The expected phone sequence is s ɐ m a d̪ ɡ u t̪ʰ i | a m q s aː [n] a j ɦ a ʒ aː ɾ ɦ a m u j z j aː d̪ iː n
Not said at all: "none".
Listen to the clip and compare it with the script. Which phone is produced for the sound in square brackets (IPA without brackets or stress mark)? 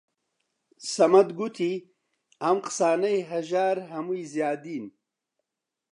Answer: n